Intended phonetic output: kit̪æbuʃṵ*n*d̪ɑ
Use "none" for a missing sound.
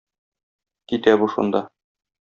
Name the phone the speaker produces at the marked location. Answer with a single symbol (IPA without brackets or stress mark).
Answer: n